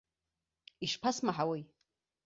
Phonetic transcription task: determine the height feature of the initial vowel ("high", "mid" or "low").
high